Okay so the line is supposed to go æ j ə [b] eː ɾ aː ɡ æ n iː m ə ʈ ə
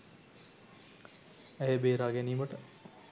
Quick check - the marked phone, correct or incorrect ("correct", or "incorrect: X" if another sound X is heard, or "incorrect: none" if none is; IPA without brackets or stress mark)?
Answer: correct